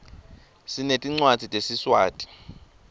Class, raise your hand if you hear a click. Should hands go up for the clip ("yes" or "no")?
yes